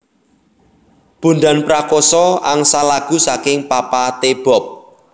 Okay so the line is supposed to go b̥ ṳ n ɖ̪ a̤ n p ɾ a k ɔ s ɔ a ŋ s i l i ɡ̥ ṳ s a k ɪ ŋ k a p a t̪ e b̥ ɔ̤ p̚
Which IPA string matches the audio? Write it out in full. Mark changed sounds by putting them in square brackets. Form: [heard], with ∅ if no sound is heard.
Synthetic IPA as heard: b̥ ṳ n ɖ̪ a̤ n p ɾ a k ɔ s ɔ a ŋ s [a] l [a] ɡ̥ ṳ s a k ɪ ŋ [p] a p a t̪ e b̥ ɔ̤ p̚